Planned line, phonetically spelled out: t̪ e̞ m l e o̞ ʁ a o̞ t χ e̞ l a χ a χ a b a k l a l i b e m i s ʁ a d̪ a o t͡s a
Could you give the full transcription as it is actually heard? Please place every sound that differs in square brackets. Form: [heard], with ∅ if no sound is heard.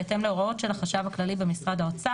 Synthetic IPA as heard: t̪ e̞ m l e o̞ ʁ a o̞ t [ʃ] e̞ l a χ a [ʃ] a [v] a k l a l i b e m i s ʁ a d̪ a o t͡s a